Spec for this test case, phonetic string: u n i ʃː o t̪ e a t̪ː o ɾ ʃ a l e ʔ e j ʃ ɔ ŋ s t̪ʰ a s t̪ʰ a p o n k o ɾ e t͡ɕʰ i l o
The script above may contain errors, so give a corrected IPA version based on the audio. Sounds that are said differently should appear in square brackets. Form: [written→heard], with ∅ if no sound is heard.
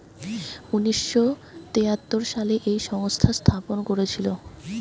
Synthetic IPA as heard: u n i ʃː o t̪ e a t̪ː o ɾ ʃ a l e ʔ e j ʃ ɔ ŋ s t̪ʰ a s t̪ʰ a p o n k o ɾ e t͡ɕʰ i l o